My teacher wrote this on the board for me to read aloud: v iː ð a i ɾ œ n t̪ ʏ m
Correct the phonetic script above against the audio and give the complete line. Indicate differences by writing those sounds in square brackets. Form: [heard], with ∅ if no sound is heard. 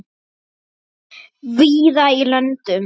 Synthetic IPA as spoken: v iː ð a i [l] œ n t̪ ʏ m